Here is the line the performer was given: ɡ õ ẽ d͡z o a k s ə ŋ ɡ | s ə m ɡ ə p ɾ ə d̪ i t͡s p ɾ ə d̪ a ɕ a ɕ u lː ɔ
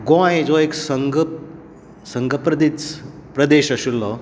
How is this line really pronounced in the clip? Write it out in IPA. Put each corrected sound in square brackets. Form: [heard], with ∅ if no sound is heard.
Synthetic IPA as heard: ɡ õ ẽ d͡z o [e] k s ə ŋ ɡ | s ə [ŋ] ɡ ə p ɾ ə d̪ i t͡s p ɾ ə d̪ [e] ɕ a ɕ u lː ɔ